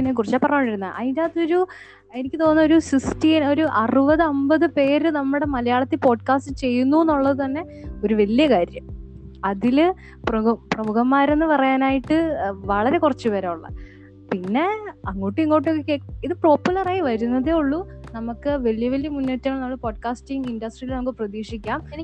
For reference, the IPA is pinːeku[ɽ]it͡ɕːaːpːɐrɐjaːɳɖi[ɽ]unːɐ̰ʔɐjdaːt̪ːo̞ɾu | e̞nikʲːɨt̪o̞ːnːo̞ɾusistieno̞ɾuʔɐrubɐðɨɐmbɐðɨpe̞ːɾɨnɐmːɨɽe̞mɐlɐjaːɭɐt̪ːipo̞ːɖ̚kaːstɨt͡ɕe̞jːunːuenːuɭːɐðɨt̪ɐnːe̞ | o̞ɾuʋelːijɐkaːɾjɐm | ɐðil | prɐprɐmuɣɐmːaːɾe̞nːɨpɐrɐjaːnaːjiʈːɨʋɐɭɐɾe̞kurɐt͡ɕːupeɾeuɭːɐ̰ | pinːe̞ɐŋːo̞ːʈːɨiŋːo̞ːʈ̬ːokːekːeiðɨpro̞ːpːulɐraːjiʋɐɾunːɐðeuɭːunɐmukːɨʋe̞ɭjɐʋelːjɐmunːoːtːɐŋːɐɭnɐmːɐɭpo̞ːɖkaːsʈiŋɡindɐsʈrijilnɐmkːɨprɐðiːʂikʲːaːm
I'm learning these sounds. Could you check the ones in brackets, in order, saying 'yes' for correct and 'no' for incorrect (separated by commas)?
no, no